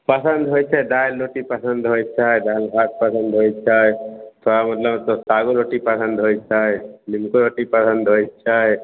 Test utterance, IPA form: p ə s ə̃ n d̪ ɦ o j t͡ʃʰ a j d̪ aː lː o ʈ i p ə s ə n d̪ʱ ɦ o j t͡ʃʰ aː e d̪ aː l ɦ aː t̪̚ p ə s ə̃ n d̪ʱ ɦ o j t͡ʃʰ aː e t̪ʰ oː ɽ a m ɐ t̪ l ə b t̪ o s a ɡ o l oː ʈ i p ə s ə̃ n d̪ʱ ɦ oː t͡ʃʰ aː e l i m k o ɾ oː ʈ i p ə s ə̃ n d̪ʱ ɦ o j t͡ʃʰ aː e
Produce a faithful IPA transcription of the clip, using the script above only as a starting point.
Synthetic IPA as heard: p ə s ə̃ n d̪ ɦ o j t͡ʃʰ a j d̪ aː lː o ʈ i p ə s ə n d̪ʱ ɦ o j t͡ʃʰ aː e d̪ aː l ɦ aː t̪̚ p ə s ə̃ n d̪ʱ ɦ o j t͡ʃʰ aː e t̪ʰ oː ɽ a m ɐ t̪ l ə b t̪ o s a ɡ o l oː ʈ i p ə s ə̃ n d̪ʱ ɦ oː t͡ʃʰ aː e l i m k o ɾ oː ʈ i p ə s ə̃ n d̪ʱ ɦ o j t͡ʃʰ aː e